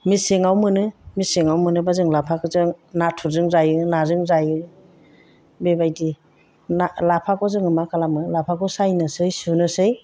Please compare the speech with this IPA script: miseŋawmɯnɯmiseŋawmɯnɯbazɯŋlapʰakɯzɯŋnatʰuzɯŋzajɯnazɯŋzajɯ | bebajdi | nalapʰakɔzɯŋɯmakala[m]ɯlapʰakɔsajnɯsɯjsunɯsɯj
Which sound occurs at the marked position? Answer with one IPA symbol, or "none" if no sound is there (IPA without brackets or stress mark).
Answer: m